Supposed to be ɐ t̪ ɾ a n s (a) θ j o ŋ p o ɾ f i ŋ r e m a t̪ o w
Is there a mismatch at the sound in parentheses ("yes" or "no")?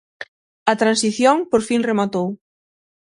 yes